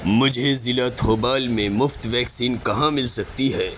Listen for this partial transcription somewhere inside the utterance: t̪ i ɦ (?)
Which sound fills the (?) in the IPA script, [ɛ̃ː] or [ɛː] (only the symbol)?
ɛː